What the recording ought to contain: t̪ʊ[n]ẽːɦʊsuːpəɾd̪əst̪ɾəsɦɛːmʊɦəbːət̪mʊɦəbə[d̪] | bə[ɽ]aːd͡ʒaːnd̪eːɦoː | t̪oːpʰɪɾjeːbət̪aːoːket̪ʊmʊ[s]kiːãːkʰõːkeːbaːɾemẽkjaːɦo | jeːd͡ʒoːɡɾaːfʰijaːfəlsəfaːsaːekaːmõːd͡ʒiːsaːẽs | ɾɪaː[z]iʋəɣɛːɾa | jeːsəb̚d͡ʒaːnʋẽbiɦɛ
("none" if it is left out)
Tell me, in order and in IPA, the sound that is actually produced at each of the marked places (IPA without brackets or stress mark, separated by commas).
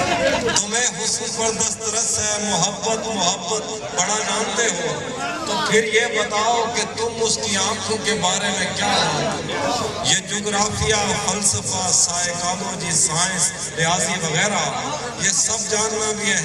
m, t̪, ɽ, s, z